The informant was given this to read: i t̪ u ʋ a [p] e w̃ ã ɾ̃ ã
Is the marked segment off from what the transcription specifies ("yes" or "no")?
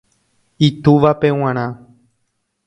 no